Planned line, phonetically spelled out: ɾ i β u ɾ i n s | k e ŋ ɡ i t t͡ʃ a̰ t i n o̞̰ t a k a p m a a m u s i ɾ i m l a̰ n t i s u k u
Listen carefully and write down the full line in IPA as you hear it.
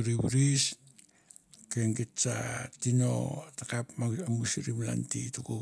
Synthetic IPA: ɾ i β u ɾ i s | k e ŋ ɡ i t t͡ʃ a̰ t i n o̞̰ t a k a p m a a m u s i ɾ i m l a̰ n t i t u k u